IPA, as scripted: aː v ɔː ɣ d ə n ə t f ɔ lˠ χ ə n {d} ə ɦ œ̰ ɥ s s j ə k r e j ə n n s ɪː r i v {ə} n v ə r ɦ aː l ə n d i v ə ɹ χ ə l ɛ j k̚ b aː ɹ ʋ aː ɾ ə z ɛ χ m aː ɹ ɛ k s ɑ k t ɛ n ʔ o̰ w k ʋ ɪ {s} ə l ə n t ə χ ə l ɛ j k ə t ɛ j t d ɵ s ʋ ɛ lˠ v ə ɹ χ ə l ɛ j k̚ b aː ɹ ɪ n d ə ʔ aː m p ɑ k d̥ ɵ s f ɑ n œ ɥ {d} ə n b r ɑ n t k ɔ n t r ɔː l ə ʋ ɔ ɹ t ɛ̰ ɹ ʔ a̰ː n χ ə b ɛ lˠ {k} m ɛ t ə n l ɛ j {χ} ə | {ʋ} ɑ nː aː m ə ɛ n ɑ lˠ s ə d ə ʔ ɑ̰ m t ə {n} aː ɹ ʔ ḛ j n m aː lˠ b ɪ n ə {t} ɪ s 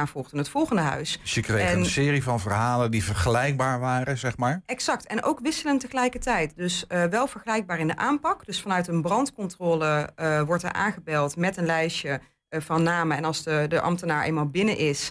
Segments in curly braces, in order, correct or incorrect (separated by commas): correct, incorrect, correct, incorrect, incorrect, incorrect, incorrect, correct, incorrect